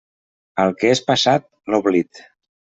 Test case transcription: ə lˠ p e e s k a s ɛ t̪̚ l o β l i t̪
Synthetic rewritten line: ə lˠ k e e s p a s a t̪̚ l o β l i t̪